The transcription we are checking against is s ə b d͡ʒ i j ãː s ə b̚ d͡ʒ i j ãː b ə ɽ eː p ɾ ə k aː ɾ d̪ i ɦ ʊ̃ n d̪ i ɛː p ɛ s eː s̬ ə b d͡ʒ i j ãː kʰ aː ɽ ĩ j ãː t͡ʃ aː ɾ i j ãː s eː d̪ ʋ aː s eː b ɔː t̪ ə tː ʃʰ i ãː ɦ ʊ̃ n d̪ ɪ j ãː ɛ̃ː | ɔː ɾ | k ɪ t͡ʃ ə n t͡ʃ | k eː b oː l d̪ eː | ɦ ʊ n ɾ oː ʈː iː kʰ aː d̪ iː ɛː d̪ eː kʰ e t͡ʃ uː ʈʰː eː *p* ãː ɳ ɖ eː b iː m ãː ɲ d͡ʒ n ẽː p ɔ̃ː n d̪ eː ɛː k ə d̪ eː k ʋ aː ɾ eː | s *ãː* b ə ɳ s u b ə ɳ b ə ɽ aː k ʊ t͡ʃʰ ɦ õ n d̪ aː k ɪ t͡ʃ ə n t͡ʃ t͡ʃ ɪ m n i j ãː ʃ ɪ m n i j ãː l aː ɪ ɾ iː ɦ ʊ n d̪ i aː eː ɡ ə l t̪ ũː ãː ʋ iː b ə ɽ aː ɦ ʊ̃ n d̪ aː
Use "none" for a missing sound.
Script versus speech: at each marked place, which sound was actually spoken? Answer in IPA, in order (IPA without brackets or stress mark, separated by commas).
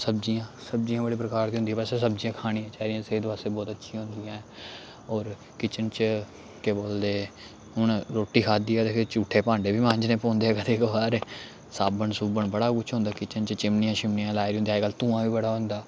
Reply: p, aː